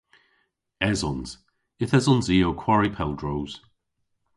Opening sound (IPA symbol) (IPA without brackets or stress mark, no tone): ɛ